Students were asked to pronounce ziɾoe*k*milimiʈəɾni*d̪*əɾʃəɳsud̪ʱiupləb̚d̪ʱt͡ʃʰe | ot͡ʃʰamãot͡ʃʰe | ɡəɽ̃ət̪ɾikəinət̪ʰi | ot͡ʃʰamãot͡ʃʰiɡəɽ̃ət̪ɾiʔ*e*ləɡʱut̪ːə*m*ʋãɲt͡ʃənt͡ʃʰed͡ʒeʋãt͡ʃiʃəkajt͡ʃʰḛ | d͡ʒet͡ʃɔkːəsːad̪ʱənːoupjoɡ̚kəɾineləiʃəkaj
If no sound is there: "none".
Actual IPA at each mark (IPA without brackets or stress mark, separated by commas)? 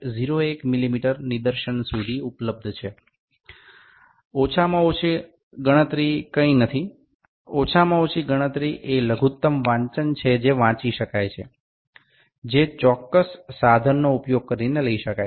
k, d̪, e, m